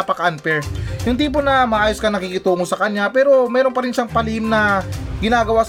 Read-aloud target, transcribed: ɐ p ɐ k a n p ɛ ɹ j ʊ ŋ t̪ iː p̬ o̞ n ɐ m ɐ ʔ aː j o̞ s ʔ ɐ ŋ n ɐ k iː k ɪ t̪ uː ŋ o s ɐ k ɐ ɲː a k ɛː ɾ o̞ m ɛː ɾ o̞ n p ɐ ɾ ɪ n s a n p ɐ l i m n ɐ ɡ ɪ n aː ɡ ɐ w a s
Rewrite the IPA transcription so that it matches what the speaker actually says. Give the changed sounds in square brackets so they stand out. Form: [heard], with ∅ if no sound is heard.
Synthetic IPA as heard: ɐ p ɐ k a n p ɛ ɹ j ʊ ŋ t̪ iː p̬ o̞ n ɐ m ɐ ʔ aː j o̞ s [k] ɐ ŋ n ɐ k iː k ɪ t̪ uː ŋ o s ɐ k ɐ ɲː a [p] ɛː ɾ o̞ m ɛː ɾ o̞ n p ɐ ɾ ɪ n [ʃ] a [ŋ] p ɐ l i m n ɐ ɡ ɪ n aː ɡ ɐ w a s